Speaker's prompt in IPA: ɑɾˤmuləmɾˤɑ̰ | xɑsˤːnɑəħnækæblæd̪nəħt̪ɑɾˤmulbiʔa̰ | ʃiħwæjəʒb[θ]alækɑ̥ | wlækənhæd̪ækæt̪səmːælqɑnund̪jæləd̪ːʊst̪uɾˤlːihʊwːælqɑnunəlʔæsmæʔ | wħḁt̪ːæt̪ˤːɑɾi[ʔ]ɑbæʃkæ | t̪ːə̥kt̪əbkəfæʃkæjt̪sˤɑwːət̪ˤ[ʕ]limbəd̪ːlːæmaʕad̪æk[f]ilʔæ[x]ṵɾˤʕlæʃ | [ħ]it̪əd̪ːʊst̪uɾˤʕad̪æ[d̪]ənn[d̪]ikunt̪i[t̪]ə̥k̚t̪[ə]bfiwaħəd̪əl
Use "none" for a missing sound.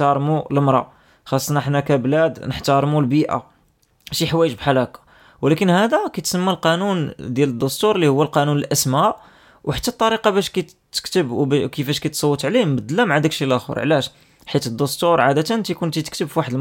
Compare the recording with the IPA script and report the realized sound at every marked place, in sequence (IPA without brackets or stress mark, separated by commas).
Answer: ħ, q, ʕ, ʃ, x, ħ, t̪, t̪, t̪, ə